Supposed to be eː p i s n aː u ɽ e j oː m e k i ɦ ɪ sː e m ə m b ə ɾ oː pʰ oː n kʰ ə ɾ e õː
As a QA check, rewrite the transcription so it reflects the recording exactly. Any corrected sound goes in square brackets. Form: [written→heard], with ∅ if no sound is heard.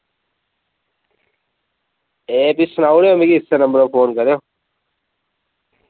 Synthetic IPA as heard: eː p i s n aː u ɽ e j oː m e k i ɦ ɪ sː e [m→n] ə m b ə ɾ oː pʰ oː n [kʰ→k] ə ɾ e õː